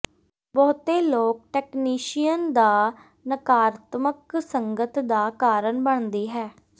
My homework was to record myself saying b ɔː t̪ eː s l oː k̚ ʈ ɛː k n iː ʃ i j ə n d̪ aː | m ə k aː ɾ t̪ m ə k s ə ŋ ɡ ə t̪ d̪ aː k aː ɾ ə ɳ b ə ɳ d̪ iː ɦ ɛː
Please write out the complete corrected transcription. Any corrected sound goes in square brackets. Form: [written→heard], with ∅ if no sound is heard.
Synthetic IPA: b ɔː t̪ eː [s→∅] l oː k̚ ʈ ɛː k n iː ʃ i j ə n d̪ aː | [m→n] ə k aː ɾ t̪ m ə k s ə ŋ ɡ ə t̪ d̪ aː k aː ɾ ə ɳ b ə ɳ d̪ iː ɦ ɛː